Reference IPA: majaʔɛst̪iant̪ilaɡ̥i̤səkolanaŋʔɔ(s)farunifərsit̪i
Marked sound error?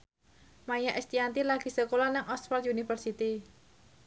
no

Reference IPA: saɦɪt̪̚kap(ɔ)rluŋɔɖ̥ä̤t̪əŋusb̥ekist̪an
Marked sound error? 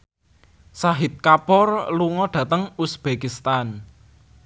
no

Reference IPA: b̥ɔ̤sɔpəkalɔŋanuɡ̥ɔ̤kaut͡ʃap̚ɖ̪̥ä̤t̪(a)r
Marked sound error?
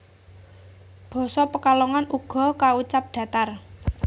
no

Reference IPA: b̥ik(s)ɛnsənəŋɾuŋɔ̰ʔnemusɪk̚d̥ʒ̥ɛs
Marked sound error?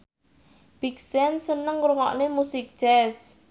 no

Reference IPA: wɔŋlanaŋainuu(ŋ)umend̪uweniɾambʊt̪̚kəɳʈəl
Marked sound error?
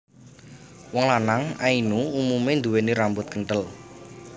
yes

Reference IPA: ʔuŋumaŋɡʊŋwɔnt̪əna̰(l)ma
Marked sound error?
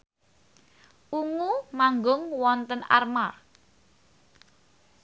yes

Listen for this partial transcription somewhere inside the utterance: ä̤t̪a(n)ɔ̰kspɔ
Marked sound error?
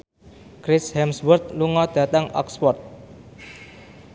yes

